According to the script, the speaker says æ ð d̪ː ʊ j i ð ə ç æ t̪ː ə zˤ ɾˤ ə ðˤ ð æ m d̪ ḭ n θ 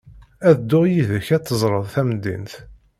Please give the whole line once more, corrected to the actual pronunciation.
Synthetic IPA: æ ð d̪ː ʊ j i ð ə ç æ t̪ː ə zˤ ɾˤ ə ðˤ θ æ m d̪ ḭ n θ